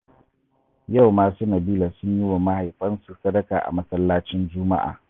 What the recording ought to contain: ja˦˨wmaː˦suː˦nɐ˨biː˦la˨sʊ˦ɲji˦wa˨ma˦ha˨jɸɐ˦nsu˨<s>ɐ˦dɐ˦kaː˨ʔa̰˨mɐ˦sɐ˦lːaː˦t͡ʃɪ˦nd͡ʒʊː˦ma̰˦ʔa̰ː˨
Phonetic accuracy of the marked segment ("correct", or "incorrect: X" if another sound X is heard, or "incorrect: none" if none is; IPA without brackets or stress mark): correct